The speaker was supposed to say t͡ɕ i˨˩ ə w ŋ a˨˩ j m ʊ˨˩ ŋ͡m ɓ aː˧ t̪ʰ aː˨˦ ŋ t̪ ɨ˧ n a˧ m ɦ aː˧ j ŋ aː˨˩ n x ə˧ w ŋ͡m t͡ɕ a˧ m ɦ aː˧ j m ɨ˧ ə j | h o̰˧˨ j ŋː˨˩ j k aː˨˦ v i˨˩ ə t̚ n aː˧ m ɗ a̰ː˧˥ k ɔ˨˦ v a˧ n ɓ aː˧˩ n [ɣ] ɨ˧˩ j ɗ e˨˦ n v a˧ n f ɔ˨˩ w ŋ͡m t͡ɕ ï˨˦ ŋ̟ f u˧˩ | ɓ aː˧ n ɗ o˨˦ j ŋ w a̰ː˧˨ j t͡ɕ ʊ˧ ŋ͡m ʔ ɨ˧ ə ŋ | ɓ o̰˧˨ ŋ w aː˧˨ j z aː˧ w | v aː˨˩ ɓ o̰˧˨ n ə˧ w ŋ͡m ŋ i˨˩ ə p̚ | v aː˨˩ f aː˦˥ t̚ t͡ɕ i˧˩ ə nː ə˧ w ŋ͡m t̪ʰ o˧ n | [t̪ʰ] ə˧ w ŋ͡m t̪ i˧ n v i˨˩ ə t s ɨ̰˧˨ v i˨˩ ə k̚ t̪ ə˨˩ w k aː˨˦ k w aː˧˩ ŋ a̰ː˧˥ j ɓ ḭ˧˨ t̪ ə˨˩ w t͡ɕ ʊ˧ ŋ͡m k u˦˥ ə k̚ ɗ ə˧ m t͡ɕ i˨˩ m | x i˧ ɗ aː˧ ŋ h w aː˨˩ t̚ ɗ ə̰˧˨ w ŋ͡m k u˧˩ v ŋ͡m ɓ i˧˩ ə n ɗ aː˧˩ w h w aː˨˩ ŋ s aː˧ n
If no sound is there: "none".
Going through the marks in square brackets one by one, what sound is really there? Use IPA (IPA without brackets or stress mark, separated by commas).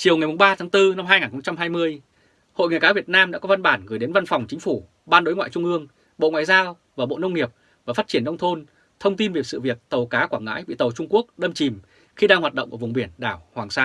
ɣ, t̪ʰ